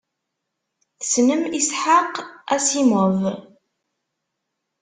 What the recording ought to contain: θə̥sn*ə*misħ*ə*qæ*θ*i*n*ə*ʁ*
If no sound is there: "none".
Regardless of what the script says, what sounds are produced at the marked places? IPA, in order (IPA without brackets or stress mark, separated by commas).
ə, a, s, m, v